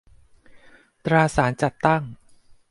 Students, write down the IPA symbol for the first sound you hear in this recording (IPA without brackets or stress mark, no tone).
t̪